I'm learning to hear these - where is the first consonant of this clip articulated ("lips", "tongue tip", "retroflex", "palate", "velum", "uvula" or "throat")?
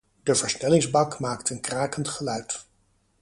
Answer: tongue tip